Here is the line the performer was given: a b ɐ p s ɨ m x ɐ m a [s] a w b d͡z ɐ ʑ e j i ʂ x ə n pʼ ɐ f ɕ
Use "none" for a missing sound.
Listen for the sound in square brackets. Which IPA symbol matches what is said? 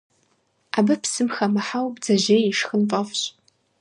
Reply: ħ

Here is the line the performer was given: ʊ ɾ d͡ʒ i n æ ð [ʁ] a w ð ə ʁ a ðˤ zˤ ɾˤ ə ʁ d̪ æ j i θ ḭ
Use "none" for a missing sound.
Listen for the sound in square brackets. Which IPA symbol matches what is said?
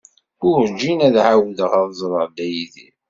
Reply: ʕ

